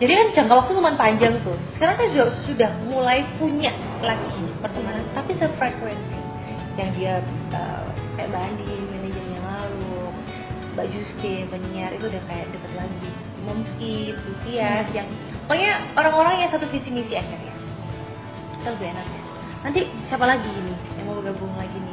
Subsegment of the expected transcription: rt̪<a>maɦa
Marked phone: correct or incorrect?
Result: incorrect